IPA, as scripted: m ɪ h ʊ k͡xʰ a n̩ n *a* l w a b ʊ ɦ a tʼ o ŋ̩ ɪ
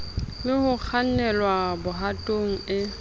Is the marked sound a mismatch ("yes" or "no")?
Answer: yes